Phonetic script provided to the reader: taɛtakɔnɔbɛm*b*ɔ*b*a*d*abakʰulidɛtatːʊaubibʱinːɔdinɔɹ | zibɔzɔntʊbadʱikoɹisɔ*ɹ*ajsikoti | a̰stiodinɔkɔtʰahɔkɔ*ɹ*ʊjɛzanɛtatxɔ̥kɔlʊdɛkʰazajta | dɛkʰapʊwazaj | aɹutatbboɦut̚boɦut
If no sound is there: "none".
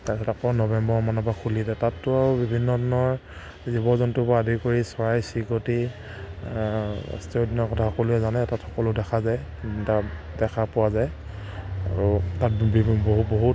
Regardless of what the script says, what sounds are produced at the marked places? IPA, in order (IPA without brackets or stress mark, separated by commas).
b, m, n, ɹ, l